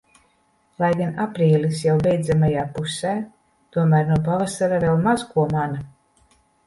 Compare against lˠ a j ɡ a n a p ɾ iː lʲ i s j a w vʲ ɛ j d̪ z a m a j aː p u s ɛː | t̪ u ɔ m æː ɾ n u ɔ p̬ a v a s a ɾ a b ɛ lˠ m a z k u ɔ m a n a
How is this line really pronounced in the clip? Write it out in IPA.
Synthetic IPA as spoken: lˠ a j ɡ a n a p ɾ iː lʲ i s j a w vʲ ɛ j d̪ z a m a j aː p u s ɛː | t̪ u ɔ m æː ɾ n u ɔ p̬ a v a s a ɾ a v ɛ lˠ m a z k u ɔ m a n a